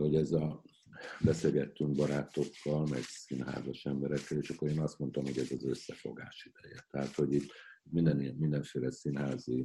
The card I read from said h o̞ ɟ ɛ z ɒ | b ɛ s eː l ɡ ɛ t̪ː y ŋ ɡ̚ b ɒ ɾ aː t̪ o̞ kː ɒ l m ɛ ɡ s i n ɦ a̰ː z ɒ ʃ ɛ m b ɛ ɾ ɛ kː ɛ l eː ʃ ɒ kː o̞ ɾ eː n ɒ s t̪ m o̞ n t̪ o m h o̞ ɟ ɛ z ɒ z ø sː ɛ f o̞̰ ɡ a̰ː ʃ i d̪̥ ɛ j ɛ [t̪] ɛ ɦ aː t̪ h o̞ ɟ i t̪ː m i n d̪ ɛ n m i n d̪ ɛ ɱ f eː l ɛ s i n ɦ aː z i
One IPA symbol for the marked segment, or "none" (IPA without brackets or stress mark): t̪